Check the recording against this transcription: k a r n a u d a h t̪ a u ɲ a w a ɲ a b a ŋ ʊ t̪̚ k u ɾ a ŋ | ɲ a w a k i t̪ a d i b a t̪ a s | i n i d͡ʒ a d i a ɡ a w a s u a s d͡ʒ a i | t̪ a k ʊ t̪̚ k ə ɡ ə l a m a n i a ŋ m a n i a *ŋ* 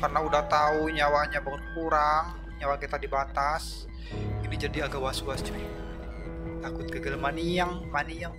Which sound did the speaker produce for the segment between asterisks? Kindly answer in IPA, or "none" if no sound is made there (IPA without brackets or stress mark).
ŋ